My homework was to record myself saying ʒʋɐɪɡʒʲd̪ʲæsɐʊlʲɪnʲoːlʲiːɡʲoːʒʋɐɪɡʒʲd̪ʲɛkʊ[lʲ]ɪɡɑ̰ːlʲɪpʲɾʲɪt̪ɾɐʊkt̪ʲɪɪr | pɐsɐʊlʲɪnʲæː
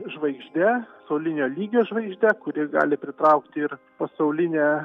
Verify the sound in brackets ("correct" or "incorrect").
incorrect